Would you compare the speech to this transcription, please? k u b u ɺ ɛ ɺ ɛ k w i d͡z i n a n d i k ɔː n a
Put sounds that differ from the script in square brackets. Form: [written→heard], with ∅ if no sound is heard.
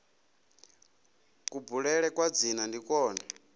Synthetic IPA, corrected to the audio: k u b u ɺ ɛ ɺ ɛ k w [i→a] d͡z i n a n d i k ɔː n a